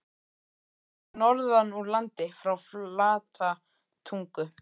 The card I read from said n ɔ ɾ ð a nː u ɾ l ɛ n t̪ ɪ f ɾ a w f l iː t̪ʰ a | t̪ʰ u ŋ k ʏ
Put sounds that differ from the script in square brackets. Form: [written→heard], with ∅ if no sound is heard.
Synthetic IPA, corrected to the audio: n ɔ ɾ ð a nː u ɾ l [ɛ→a] n t̪ ɪ f ɾ a w f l [iː→aː] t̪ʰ a | t̪ʰ u ŋ k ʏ